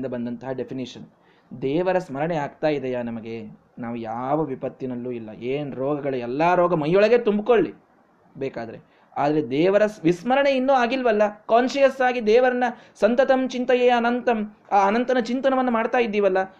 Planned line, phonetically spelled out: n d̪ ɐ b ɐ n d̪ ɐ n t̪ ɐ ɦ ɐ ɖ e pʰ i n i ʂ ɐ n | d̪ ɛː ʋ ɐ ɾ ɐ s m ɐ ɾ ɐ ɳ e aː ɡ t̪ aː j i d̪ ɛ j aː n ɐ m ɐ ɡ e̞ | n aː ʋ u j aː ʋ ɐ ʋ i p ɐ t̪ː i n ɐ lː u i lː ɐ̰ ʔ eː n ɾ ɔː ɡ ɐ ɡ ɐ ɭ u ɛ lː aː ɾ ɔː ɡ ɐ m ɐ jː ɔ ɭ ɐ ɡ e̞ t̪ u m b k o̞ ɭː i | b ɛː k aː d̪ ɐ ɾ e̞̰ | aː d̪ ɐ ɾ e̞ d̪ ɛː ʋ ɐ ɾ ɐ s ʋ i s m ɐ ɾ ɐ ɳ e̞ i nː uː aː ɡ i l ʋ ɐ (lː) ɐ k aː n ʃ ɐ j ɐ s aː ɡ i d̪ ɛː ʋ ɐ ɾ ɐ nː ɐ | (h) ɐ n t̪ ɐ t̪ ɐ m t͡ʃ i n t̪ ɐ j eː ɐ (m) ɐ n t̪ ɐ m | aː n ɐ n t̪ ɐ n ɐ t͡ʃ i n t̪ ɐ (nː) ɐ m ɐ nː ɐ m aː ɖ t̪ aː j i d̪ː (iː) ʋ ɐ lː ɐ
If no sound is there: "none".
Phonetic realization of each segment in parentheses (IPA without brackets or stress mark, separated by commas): lː, s, n, n, iː